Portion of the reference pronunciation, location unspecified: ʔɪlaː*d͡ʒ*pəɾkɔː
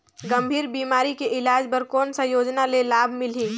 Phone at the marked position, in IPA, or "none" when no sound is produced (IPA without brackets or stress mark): d͡ʒ